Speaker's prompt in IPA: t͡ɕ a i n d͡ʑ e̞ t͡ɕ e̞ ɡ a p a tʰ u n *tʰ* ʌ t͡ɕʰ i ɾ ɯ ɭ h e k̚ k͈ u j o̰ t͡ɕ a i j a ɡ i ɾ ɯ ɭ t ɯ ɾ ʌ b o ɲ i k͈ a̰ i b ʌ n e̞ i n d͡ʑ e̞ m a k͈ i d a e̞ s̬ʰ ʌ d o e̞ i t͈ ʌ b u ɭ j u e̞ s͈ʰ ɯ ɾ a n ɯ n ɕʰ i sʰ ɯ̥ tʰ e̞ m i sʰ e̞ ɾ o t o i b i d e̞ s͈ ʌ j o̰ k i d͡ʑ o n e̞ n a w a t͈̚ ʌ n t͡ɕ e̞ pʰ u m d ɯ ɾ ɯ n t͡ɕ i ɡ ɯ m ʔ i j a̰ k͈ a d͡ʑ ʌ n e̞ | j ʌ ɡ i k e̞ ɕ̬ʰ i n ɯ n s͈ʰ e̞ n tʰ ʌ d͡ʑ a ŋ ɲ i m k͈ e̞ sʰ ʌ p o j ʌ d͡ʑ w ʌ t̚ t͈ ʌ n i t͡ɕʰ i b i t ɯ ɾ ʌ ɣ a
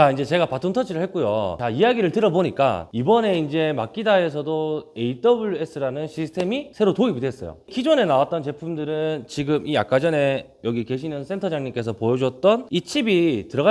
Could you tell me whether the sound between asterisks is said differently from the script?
no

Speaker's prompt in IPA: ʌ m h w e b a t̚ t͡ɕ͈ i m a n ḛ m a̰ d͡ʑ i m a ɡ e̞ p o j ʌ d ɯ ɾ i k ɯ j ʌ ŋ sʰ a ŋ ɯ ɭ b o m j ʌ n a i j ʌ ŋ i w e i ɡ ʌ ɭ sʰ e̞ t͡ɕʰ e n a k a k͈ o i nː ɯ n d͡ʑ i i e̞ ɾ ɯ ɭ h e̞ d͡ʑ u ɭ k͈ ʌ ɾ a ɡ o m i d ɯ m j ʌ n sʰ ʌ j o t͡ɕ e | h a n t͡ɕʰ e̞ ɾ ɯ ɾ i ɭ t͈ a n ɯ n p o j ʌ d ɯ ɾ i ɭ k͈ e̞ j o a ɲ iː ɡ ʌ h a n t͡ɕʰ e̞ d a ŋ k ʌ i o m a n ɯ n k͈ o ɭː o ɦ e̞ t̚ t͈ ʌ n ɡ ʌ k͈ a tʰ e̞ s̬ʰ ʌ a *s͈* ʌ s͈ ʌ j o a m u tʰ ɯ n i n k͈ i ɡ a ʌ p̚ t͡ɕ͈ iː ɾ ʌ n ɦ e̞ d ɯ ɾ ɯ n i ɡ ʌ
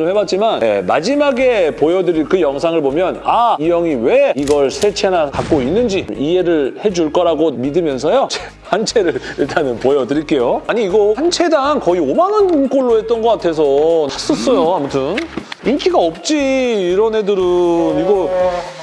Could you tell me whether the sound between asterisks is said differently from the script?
no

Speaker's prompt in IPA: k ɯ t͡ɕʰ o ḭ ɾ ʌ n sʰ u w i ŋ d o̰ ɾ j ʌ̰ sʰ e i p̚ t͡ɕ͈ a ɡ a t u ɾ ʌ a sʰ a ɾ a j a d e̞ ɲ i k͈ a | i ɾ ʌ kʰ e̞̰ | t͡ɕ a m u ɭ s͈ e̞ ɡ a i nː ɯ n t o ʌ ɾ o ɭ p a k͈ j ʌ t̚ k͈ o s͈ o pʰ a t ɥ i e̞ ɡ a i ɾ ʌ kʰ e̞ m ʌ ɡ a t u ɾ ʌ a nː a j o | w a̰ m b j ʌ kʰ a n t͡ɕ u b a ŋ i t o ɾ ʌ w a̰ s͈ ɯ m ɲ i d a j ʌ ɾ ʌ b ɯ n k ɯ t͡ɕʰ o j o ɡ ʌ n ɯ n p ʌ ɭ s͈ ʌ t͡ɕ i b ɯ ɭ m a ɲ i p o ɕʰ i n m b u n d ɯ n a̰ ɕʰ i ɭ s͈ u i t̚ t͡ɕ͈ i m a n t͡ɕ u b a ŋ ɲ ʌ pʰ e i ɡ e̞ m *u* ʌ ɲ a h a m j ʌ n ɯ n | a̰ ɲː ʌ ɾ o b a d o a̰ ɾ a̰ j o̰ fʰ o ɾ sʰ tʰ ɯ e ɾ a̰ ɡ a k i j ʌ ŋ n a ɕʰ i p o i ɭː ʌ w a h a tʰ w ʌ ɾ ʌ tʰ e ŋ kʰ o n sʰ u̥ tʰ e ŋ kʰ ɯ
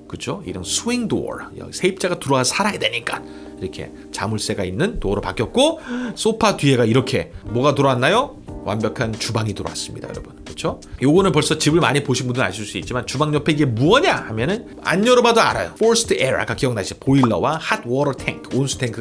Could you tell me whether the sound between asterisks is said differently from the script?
no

